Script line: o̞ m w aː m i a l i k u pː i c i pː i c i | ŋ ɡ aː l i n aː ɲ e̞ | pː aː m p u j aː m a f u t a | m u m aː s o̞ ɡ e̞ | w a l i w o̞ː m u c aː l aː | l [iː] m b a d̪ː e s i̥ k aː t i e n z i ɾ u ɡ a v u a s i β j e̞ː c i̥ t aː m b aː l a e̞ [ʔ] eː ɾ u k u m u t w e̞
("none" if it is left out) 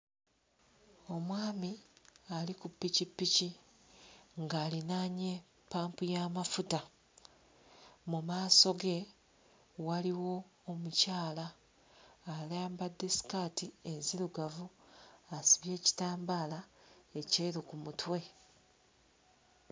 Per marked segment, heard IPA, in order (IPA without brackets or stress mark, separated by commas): aː, c